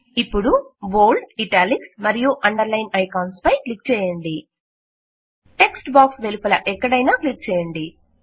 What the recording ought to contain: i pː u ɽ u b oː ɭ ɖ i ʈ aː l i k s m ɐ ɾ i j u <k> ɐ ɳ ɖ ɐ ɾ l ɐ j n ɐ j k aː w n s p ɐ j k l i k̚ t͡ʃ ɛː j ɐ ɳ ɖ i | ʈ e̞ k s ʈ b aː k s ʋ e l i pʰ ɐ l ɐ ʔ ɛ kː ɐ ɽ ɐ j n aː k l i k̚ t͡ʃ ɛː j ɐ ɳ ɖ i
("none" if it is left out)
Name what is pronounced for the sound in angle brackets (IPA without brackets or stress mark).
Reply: ʔ